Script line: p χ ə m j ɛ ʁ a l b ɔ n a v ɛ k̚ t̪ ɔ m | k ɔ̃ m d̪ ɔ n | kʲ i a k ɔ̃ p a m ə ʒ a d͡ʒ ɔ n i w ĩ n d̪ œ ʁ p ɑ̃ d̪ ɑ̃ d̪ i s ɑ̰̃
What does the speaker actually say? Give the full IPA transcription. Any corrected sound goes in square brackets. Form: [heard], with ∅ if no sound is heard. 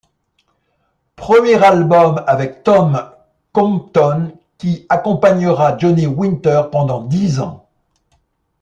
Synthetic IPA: p χ ə m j ɛ ʁ a l b ɔ [m] a v ɛ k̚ t̪ ɔ m | k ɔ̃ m [t̪] ɔ n | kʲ i a k ɔ̃ p a [ɲ] ə [ʁ] a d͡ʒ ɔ n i w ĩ n [t̪] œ ʁ p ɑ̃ d̪ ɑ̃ d̪ i [z] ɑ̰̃